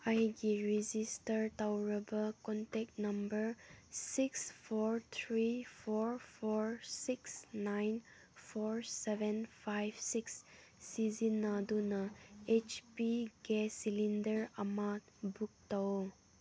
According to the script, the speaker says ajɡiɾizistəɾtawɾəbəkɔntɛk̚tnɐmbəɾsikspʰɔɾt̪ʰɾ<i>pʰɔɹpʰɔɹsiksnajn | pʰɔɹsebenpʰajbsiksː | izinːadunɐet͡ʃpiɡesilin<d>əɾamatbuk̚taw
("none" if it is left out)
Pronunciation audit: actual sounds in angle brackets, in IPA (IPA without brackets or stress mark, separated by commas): i, d